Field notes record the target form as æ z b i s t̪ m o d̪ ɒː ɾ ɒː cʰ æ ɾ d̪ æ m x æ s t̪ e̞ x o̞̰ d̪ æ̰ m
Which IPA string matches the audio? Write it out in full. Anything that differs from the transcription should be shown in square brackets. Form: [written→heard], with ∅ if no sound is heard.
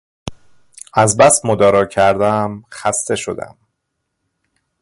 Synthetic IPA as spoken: æ z b [i→æ] s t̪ m o d̪ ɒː ɾ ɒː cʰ æ ɾ d̪ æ m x æ s t̪ e̞ [x→ʃ] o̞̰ d̪ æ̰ m